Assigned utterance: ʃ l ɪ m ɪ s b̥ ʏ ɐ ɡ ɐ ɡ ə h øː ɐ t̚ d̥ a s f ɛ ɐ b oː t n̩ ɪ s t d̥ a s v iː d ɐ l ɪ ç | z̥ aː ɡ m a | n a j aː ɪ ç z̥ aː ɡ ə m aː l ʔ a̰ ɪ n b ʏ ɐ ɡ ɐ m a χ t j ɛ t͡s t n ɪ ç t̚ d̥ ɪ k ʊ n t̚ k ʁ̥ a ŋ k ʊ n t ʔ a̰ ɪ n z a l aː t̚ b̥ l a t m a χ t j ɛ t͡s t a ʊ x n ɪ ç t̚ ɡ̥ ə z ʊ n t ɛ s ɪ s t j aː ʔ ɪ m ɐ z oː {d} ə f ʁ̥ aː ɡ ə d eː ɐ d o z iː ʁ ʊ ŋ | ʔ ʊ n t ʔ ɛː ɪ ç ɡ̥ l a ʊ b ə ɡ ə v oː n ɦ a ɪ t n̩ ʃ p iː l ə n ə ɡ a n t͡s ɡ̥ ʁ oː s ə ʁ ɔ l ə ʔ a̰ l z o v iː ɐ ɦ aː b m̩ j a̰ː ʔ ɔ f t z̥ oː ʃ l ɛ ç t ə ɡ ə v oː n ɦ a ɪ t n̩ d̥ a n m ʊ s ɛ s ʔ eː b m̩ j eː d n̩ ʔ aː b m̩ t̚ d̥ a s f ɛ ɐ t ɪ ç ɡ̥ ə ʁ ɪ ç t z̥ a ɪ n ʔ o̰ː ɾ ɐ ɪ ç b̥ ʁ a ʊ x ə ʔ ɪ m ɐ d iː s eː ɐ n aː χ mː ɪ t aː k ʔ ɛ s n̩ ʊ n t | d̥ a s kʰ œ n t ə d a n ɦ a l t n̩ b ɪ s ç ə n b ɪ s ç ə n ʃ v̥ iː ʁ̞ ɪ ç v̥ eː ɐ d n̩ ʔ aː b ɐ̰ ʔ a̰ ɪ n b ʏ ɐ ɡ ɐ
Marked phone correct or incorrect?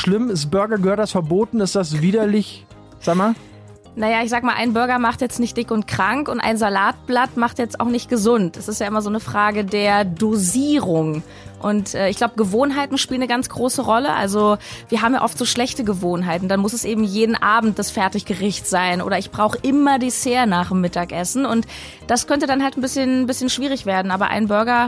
incorrect